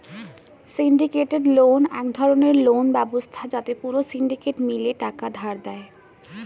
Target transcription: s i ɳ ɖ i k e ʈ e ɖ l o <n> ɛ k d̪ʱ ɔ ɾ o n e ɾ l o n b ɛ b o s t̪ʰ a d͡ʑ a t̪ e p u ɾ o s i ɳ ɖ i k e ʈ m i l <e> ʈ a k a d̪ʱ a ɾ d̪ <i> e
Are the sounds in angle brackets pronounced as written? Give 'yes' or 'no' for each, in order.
yes, yes, no

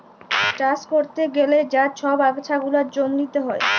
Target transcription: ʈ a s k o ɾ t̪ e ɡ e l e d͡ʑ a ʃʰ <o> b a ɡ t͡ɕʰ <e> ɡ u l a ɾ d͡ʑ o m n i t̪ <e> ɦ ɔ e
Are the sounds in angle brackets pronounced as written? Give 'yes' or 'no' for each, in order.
no, no, yes

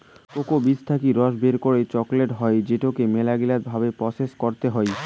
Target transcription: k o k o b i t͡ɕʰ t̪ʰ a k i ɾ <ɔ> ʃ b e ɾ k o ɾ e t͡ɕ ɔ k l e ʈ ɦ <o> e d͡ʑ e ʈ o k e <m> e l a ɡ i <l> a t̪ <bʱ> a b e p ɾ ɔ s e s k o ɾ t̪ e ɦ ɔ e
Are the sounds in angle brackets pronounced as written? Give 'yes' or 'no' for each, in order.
yes, no, yes, yes, yes

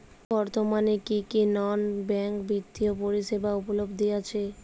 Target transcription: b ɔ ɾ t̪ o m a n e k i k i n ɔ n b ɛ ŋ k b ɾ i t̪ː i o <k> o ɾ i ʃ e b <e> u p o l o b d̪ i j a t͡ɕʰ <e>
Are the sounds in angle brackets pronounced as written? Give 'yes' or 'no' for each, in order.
no, no, yes

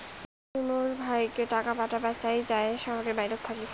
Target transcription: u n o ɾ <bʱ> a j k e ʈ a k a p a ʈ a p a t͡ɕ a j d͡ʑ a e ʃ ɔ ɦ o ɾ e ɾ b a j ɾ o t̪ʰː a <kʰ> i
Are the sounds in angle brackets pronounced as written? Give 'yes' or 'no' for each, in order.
yes, no

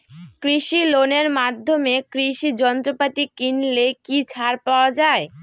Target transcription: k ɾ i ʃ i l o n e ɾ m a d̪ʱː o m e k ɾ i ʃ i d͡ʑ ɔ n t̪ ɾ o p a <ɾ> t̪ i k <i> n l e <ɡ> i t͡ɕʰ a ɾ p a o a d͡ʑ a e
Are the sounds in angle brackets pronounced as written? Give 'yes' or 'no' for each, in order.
no, yes, no

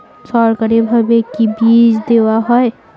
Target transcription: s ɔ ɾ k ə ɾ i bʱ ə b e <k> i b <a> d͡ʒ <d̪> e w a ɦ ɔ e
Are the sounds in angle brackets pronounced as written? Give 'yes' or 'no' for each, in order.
yes, no, yes

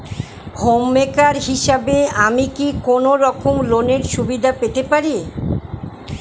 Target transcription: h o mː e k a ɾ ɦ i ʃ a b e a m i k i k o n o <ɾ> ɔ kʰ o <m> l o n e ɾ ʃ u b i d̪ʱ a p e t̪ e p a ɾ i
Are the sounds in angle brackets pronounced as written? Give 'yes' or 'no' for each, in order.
yes, yes

